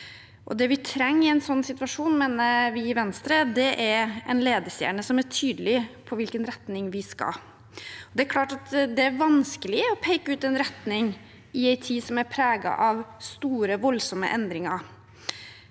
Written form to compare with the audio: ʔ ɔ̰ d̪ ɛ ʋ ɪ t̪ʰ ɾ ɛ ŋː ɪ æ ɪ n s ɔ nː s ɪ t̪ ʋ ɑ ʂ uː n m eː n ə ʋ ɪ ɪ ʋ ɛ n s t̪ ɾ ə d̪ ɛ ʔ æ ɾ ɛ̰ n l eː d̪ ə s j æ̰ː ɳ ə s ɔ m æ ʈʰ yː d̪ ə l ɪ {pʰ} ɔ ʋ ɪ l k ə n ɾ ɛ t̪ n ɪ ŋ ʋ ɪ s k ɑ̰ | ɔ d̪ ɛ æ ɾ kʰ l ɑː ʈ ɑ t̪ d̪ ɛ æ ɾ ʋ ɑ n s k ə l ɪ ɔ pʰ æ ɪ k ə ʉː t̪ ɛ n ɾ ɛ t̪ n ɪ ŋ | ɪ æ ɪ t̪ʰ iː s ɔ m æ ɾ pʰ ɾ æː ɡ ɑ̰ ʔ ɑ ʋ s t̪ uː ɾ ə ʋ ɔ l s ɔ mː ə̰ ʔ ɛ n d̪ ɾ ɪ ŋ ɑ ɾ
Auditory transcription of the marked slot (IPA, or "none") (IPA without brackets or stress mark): pʰ